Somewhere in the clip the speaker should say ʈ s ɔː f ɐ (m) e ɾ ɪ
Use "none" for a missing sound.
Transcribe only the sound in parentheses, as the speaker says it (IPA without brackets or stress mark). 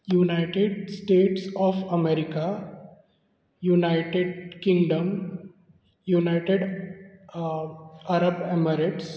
m